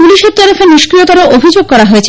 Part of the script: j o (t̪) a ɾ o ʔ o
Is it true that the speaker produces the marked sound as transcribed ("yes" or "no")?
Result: yes